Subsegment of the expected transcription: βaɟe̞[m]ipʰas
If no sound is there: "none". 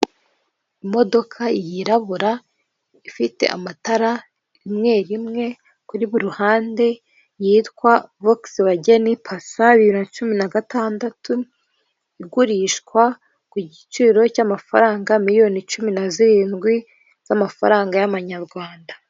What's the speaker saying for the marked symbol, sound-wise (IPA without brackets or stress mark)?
n